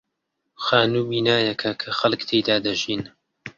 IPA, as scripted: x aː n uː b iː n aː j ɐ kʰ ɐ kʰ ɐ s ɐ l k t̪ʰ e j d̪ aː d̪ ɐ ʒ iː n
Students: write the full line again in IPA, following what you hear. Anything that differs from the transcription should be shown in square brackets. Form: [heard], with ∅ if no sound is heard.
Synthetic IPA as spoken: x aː n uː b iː n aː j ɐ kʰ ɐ kʰ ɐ [x] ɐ l k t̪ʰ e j d̪ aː d̪ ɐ ʒ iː n